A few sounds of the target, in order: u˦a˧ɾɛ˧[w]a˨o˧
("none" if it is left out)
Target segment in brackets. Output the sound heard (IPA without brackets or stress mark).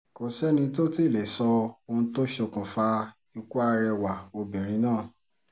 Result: w